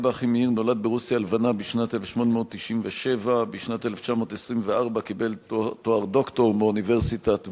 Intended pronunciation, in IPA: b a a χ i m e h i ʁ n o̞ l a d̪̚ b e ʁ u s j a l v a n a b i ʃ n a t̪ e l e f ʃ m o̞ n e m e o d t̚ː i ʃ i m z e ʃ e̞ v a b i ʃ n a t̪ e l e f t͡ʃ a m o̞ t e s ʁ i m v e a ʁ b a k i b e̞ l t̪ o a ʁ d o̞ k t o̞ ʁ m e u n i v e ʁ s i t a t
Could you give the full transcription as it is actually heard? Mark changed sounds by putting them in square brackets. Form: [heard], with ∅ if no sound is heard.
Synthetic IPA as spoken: b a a χ i m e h i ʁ n o̞ l a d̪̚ b e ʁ u s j a l v a n a b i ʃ n a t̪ e l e f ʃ m o̞ n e m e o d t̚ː i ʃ i m [v] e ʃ e̞ v a b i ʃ n a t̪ e l e f t͡ʃ a m o̞ t e s ʁ i m v e a ʁ b a k i b e̞ l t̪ o a ʁ d o̞ k t o̞ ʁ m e u n i v e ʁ s i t a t

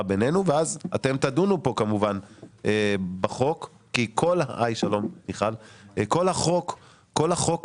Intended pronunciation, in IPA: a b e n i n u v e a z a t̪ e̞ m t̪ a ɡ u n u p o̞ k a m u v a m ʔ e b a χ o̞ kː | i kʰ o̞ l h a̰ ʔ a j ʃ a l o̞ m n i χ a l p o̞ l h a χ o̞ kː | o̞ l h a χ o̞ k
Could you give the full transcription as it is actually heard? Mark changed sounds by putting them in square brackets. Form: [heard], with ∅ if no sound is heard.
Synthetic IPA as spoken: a b e n [e] n u v e a z a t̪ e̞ m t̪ a [d] u n u p o̞ k a m u v a [n] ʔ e b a χ o̞ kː | i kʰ o̞ l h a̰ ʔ a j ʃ a l o̞ m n i χ a l [k] o̞ l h a χ o̞ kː | o̞ l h a χ o̞ k

